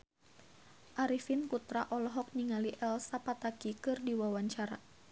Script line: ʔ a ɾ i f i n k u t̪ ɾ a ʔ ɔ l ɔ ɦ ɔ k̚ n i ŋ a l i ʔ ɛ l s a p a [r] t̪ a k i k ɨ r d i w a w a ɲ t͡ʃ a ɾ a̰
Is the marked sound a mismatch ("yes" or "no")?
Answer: yes